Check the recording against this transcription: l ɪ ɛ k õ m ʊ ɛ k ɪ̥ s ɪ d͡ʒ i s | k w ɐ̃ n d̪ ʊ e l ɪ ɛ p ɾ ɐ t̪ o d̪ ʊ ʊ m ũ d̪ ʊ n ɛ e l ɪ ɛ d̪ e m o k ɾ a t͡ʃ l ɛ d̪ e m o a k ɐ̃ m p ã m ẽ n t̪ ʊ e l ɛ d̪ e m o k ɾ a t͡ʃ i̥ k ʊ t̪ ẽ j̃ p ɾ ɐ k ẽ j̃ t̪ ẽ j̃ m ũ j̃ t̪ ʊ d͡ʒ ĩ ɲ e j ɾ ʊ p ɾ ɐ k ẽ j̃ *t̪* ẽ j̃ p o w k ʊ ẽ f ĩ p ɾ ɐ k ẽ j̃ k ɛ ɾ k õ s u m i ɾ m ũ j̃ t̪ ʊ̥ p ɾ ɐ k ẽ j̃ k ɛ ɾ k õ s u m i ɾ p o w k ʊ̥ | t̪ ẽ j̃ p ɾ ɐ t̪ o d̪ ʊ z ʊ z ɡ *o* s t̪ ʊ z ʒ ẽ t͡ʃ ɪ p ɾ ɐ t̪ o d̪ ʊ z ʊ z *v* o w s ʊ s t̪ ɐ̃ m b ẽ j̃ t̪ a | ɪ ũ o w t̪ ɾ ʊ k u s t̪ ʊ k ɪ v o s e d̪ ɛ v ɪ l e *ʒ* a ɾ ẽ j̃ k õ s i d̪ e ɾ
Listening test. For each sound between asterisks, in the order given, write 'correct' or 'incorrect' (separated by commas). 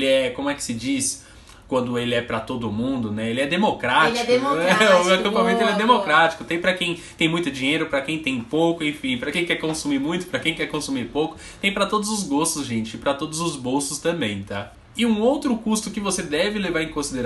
correct, correct, incorrect, incorrect